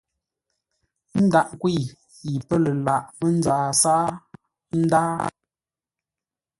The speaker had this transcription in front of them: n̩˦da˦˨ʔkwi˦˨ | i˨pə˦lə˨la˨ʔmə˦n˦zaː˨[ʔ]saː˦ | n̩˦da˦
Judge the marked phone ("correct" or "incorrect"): incorrect